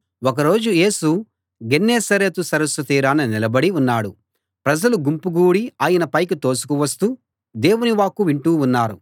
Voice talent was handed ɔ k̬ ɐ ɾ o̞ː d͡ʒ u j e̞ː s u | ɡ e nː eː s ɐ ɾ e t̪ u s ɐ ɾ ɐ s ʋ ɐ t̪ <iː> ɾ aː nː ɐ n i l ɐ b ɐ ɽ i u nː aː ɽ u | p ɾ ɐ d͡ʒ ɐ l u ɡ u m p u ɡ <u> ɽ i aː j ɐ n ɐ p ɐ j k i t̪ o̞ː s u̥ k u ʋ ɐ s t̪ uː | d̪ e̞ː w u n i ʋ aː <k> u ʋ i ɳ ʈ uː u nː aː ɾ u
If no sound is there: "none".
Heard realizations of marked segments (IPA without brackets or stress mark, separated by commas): iː, uː, k